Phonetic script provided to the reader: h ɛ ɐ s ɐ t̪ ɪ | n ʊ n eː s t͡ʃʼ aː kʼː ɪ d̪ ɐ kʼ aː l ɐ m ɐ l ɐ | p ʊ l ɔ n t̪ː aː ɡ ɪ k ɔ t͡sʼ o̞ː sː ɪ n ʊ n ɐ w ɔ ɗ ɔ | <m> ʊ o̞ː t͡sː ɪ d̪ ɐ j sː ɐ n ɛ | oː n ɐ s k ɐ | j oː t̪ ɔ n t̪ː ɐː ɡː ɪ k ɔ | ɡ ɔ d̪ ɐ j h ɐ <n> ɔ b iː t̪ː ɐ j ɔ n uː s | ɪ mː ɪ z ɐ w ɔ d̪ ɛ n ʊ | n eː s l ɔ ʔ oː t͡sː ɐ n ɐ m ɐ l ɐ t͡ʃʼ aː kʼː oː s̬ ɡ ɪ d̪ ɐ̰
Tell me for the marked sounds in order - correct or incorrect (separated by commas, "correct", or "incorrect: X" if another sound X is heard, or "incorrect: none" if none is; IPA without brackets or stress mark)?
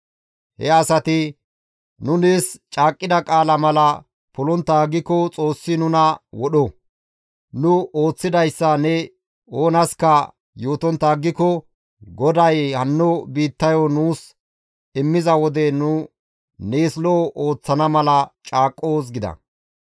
incorrect: n, incorrect: nː